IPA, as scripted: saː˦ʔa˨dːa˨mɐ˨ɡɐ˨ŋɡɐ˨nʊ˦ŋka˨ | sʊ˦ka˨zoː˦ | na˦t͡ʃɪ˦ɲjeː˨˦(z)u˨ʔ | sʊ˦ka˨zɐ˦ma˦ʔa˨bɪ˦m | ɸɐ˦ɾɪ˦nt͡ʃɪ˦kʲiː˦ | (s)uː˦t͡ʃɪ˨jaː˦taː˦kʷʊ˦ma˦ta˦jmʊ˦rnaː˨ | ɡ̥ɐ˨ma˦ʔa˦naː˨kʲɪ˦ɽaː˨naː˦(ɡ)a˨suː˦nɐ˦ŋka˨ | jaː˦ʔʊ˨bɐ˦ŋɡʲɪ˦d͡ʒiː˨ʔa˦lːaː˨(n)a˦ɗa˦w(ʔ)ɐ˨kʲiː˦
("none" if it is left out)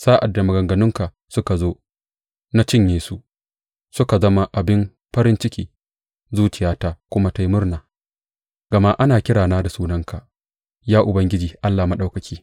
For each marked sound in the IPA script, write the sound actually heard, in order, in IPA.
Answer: s, z, d, m, k

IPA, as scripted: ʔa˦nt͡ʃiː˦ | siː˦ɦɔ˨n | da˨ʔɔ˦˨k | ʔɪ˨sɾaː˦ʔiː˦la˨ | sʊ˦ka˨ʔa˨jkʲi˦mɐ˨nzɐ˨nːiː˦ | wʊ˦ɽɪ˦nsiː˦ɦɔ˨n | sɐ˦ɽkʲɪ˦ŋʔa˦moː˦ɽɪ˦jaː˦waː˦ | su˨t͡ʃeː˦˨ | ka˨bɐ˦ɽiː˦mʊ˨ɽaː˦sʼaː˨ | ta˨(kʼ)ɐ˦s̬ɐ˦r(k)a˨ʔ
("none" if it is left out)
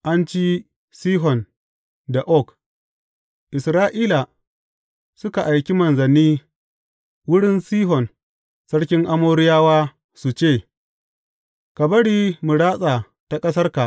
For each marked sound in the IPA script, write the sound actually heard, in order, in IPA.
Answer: kʼ, k

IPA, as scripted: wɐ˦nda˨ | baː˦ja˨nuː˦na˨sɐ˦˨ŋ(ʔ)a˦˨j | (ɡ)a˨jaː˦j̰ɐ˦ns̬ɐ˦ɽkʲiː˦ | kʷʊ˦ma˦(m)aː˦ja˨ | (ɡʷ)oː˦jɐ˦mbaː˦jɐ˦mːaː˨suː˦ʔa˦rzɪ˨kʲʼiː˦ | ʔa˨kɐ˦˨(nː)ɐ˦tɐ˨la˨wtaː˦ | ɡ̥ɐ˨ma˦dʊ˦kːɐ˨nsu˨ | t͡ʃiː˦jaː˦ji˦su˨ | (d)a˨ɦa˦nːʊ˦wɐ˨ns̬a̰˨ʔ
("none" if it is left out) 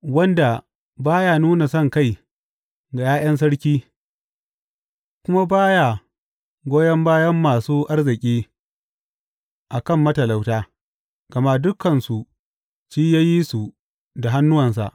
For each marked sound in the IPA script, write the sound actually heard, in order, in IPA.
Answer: k, ɡ, b, ɡʷ, mː, d

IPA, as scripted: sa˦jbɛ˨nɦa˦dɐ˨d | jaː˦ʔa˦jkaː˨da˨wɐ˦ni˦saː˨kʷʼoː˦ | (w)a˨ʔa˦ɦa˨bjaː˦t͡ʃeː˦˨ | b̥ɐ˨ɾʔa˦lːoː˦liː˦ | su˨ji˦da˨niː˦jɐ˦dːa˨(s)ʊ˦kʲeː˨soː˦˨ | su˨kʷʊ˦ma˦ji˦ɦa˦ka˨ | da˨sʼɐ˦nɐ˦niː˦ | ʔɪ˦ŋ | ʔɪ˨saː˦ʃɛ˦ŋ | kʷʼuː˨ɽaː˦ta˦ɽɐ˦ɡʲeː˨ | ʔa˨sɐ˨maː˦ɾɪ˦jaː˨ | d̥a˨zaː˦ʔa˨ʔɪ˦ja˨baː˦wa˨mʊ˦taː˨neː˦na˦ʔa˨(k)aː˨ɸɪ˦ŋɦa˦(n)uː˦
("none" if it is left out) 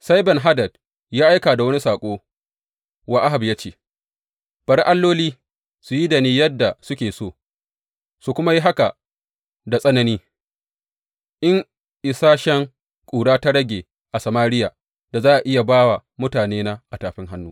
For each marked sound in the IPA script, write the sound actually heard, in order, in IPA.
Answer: w, s, t, nː

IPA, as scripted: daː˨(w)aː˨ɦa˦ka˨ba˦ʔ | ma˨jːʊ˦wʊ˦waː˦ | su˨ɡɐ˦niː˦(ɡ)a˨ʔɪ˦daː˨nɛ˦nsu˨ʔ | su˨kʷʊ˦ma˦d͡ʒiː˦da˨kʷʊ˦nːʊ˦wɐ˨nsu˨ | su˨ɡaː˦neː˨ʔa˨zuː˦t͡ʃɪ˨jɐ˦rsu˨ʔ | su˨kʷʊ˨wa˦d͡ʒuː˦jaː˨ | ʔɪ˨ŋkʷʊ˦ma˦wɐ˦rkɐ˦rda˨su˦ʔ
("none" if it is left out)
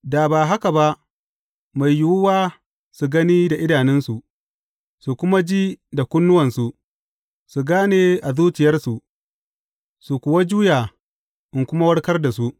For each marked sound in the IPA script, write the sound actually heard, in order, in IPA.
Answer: b, d

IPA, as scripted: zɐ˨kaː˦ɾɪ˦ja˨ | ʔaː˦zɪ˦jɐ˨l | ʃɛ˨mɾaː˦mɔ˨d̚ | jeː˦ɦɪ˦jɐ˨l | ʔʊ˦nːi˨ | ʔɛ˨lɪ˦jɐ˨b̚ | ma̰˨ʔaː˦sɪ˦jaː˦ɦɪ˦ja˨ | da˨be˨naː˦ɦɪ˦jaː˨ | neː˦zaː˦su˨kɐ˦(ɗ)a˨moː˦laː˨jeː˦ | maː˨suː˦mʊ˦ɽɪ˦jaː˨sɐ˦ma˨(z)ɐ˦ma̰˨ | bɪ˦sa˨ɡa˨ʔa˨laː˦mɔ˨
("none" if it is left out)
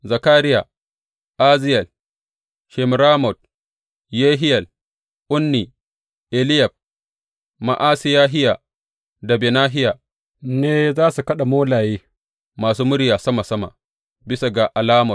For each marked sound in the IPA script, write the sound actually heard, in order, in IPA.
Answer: ɗ, s

